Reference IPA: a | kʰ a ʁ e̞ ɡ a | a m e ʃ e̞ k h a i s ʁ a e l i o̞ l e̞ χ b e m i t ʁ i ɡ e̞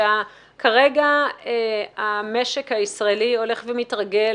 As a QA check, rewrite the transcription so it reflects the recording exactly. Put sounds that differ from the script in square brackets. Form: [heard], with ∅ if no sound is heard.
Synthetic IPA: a | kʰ a ʁ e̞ ɡ a | a m e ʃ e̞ k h a i s ʁ a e l i o̞ l e̞ χ [v] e m i t ʁ [a] ɡ e̞